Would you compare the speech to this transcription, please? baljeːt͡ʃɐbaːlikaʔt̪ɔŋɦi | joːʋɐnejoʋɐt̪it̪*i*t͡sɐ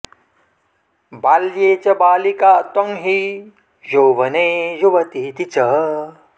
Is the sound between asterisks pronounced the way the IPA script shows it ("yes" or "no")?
yes